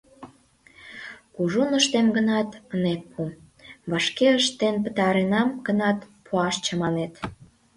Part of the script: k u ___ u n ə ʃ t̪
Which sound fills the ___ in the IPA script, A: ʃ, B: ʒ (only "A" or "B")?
B